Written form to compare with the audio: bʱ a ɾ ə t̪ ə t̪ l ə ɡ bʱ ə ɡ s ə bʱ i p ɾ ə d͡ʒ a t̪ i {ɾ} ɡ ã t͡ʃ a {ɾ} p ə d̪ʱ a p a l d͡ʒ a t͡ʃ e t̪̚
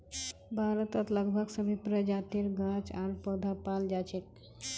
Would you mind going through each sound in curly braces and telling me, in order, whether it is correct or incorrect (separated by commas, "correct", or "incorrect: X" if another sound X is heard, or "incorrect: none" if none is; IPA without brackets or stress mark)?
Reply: correct, correct